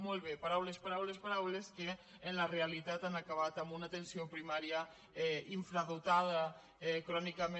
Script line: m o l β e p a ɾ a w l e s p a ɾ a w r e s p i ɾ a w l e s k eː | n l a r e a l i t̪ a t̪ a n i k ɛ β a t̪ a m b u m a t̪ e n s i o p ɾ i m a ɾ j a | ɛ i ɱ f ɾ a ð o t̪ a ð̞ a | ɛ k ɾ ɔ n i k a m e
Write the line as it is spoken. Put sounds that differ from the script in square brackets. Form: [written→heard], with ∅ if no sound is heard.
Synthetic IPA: m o l β e p a ɾ a w l e s p a ɾ a w [r→l] e s p [i→a] ɾ a w l e s k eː | n l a r e a l i t̪ a t̪ a n [i→a] k [ɛ→a] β a t̪ a m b u [m→n] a t̪ e n s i o p ɾ i m a ɾ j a | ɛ i ɱ f ɾ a ð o t̪ a ð̞ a | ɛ k ɾ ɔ n i k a m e